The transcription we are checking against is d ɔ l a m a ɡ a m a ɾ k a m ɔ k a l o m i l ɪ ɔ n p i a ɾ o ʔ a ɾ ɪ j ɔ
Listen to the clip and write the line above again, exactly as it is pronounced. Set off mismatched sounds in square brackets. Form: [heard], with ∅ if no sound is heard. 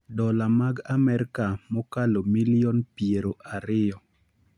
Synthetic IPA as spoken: d ɔ l a m a ɡ a m [ɛ] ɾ k a m ɔ k a l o m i l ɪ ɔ n p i [e] ɾ o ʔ a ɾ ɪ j ɔ

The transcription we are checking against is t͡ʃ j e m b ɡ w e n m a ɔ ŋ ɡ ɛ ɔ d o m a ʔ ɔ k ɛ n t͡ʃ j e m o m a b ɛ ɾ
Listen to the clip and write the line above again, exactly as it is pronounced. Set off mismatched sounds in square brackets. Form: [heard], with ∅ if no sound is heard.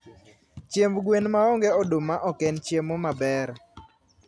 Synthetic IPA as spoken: t͡ʃ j e m b ɡ w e n m a ɔ ŋ ɡ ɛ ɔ d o m a ʔ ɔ k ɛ n t͡ʃ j e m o m a b ɛ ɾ

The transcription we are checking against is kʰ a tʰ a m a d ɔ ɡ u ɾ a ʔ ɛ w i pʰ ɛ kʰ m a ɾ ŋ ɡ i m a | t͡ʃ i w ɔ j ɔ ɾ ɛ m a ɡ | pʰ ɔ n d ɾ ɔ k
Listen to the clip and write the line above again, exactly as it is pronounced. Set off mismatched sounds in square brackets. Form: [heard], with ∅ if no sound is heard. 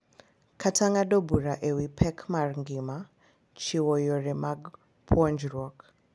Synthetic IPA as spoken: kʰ a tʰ a [ŋ] a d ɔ [b] u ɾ a ʔ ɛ w i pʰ ɛ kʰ m a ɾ ŋ ɡ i m a | t͡ʃ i w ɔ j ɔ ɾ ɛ m a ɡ | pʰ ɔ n [d͡ʒ] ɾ ɔ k

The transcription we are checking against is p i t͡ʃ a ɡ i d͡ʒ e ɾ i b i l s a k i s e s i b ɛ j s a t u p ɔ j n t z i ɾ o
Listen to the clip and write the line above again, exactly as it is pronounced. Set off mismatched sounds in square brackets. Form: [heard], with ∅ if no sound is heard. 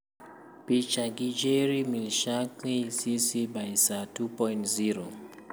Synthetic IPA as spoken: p i t͡ʃ a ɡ i d͡ʒ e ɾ i [m] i l [ʃ] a k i s [i] s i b [a] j s a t u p ɔ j n t z i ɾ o

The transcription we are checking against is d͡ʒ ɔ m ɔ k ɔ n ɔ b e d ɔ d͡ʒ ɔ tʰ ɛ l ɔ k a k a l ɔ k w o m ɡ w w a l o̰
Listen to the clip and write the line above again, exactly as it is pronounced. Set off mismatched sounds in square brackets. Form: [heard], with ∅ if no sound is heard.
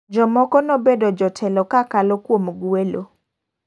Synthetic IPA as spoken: d͡ʒ ɔ m ɔ k ɔ n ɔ b e d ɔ d͡ʒ ɔ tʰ ɛ l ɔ k a k a l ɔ k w o m ɡ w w [e] l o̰

